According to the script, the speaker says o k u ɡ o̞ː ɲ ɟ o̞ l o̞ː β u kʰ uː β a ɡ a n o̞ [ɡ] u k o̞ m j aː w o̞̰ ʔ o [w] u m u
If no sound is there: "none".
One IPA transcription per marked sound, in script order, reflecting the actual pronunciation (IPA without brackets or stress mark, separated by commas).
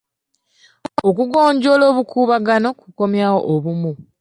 k, β